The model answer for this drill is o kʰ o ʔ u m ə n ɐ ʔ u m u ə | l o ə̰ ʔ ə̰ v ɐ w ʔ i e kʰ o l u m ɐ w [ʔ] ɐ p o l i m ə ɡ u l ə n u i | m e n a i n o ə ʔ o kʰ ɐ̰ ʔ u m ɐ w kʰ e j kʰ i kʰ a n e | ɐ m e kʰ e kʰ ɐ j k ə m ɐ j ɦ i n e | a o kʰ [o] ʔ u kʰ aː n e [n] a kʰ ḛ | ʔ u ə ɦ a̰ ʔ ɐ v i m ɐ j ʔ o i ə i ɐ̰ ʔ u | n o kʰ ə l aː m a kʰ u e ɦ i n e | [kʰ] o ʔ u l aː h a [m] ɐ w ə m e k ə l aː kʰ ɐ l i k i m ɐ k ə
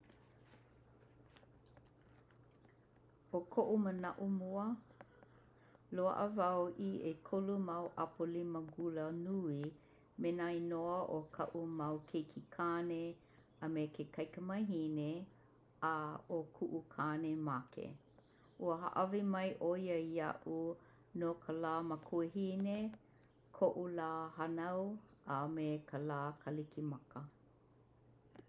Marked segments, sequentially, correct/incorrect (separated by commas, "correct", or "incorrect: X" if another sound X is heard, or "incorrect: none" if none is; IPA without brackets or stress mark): correct, incorrect: u, incorrect: m, correct, incorrect: n